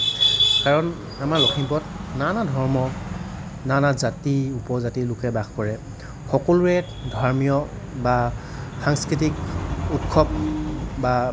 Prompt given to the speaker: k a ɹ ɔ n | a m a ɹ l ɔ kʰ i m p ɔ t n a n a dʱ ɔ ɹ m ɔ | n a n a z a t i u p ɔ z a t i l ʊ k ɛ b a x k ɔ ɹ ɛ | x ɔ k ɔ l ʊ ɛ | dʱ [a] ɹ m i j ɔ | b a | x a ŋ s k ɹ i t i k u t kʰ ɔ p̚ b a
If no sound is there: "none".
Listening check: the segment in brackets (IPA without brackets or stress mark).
a